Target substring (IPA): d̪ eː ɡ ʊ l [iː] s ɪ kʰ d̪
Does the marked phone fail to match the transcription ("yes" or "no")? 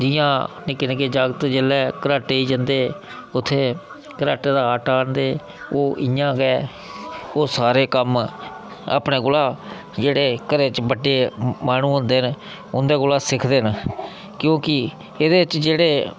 yes